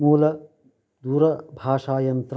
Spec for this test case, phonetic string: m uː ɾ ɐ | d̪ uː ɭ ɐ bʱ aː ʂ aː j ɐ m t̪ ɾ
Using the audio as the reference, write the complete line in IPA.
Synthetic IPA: m uː l ɐ | d̪ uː ɾ ɐ bʱ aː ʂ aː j ɐ n t̪ ɾ